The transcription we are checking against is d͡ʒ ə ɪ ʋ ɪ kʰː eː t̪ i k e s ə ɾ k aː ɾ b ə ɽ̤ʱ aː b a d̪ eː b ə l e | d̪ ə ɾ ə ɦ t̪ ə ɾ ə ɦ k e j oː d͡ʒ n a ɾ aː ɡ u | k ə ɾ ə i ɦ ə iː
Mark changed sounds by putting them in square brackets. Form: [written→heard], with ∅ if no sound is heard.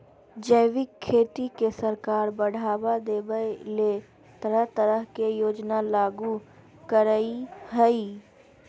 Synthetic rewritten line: d͡ʒ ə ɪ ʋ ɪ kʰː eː t̪ i k e s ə ɾ k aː ɾ b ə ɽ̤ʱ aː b a d̪ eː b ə l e | [d̪→t̪] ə ɾ ə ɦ t̪ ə ɾ ə ɦ k e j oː d͡ʒ n a [ɾ→l] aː ɡ u | k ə ɾ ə i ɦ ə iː